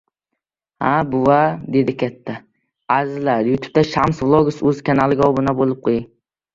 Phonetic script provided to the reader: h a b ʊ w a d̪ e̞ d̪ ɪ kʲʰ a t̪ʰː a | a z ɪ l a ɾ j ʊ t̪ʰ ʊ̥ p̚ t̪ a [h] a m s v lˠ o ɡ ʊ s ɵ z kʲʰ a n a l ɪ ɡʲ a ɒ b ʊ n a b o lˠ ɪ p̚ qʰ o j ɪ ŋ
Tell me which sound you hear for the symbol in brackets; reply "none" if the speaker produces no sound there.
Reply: ʃ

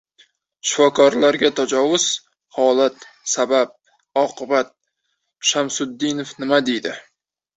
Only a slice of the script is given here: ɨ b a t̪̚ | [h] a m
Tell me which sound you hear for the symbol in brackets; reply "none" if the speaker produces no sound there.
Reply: ʃ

